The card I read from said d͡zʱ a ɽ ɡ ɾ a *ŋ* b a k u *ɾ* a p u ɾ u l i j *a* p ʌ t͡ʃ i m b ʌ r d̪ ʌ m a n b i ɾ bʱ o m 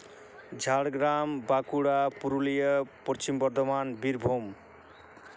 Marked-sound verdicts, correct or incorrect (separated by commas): incorrect, incorrect, incorrect